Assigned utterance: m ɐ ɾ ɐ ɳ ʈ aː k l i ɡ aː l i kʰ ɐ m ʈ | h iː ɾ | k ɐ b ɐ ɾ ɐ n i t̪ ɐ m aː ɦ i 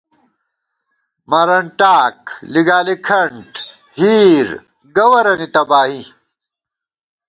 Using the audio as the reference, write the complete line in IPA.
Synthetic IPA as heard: m ɐ ɾ ɐ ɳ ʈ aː k l i ɡ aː l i kʰ ɐ ɳ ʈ | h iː ɾ | ɡ ɐ w ɐ ɾ ɐ n i t̪ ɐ b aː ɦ i